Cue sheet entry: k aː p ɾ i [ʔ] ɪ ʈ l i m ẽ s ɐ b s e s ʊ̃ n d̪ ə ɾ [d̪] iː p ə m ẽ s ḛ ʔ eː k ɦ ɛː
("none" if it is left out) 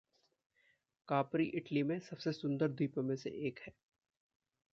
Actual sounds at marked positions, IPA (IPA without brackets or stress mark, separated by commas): ʔ, d̪